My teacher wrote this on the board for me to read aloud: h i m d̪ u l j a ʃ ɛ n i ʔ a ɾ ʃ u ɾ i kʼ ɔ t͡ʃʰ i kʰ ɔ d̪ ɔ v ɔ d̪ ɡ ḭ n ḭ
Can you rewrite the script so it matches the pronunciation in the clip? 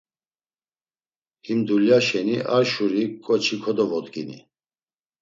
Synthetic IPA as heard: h i m d̪ u l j a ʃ ɛ n i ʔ a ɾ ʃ u ɾ i kʼ ɔ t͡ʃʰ i kʰ ɔ d̪ ɔ v ɔ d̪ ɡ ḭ n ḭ